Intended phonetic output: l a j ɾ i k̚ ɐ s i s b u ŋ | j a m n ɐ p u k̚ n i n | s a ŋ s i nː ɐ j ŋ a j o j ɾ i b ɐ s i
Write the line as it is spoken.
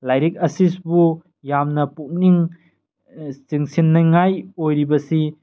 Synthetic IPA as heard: l a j ɾ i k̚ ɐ s i s b u | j a m n ɐ p u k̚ n i ŋ | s i ŋ s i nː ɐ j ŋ a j o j ɾ i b ɐ s i

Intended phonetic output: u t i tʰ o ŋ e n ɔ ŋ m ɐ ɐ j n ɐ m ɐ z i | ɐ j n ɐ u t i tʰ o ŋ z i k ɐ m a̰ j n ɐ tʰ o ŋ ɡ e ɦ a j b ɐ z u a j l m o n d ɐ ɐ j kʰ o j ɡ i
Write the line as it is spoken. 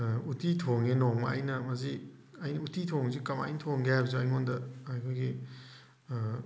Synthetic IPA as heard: u t i tʰ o ŋ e n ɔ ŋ m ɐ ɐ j n ɐ m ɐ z i | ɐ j n ɐ u t i tʰ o ŋ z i k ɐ m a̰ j n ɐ tʰ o ŋ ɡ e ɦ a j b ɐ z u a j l m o n d ɐ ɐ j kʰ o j ɡ i

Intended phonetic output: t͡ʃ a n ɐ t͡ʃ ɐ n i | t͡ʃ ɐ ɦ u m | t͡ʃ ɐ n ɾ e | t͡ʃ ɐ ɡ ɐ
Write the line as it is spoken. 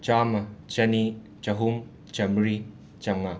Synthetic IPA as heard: t͡ʃ a m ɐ t͡ʃ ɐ n i | t͡ʃ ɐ ɦ u m | t͡ʃ ɐ m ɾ i | t͡ʃ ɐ ŋ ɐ

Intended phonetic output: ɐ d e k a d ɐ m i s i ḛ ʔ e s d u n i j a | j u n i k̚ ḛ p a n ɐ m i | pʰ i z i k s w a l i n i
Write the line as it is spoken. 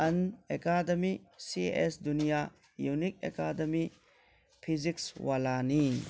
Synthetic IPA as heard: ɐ n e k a d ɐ m i s i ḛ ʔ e s d u n i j a | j u n i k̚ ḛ k a d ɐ m i | pʰ i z i k s w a l a n i

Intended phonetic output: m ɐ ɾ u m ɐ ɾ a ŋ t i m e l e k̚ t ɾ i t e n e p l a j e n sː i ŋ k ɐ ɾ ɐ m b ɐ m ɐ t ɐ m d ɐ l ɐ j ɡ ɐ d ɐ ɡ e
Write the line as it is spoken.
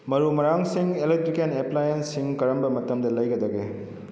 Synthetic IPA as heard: m ɐ ɾ u m ɐ ɾ a ŋ s i ŋ e l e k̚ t ɾ i k e n e p l a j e n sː i ŋ k ɐ ɾ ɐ m b ɐ m ɐ t ɐ m d ɐ l ɐ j ɡ ɐ d ɐ ɡ e

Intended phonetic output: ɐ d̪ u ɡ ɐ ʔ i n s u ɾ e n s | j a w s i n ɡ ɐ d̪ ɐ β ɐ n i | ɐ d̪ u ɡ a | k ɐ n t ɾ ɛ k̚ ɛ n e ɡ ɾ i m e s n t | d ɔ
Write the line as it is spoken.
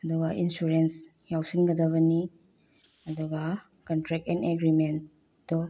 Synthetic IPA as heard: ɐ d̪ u ɡ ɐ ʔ i n s u ɾ e n s | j a w s i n ɡ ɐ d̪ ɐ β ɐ n i | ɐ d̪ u ɡ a | k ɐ n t ɾ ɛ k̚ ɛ n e ɡ ɾ i m e n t | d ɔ

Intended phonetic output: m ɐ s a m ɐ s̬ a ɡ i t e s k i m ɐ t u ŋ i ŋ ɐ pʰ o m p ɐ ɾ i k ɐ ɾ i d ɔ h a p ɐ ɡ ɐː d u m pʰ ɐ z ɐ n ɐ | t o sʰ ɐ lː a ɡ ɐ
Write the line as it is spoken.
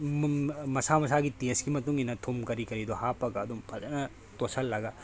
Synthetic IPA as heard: m ɐ s a m ɐ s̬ a ɡ i t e s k i m ɐ t u ŋ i n ɐ tʰ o m k ɐ ɾ i k ɐ ɾ i d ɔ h a p ɐ ɡ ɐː d u m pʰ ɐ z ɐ n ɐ | t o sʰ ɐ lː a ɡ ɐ

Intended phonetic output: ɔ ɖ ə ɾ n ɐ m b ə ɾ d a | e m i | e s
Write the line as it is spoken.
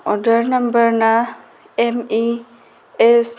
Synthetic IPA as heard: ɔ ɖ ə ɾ n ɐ m b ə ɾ n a | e m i | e s

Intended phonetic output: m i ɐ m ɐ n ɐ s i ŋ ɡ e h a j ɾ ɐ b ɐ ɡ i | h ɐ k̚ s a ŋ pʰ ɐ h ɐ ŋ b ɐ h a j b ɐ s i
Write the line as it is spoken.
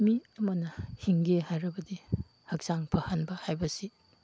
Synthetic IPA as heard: m i ɐ m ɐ n ɐ h i ŋ ɡ e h a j ɾ ɐ b ɐ d i | h ɐ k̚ s a ŋ pʰ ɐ h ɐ n b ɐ h a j b ɐ s i

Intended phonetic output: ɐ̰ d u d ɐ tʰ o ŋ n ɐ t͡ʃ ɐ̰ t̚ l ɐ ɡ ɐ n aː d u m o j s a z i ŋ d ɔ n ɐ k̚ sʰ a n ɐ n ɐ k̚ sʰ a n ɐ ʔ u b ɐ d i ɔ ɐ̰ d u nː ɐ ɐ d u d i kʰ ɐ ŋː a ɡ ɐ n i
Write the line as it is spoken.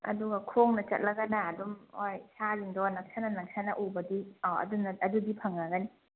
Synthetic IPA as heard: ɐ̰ d u ɡ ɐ kʰ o ŋ n ɐ t͡ʃ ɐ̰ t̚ l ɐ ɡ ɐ n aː d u m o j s a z i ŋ d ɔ n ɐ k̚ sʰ a n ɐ n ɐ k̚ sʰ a n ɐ ʔ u b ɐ d i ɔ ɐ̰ d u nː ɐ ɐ d u d i pʰ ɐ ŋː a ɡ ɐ n i

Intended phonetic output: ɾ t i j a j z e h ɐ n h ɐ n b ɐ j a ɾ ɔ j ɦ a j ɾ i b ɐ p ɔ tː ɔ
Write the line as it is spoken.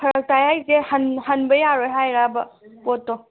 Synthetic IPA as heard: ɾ t a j a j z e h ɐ n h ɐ n b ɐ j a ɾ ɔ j ɦ a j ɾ a b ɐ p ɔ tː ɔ

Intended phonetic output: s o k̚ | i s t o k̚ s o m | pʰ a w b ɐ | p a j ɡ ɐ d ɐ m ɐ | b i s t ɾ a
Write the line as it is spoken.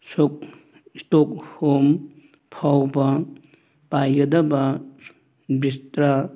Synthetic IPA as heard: s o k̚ | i s t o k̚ h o m | pʰ a w b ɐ | p a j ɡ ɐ d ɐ b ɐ | b i s t ɾ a

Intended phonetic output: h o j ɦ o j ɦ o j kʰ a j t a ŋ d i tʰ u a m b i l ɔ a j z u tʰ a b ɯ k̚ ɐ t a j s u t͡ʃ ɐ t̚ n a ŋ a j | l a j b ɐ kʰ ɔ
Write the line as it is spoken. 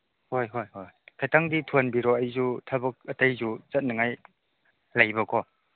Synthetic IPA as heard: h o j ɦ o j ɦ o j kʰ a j t a ŋ d i tʰ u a n b i ɾ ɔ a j z u tʰ a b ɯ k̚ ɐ t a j z u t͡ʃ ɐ t̚ n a ŋ a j | l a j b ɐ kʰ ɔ

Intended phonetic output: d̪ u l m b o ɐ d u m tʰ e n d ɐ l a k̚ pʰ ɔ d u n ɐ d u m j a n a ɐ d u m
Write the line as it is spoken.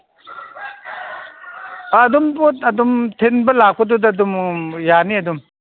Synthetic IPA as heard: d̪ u m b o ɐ d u m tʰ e n b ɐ l a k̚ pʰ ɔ d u d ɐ d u m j a n i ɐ d u m

